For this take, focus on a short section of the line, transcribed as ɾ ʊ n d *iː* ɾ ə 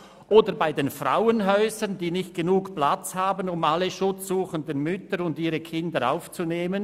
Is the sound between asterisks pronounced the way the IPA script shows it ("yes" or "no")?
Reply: yes